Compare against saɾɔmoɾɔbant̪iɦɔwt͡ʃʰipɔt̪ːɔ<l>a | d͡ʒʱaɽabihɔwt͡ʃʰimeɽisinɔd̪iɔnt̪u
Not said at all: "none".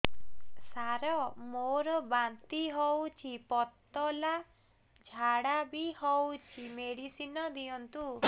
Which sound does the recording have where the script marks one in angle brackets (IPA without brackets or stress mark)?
l